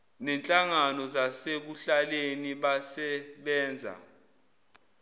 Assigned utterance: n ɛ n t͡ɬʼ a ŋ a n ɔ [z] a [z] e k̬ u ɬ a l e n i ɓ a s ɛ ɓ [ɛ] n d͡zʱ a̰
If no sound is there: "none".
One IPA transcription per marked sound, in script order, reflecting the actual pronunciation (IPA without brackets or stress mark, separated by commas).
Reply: z, s, ɛː